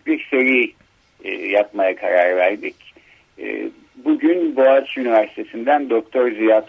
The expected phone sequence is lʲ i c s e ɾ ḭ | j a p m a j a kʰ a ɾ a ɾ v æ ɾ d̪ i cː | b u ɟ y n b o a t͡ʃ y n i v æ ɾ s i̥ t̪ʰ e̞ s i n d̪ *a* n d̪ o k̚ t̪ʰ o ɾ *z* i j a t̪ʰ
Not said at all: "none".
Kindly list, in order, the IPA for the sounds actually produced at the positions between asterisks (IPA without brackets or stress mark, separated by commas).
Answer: æ, z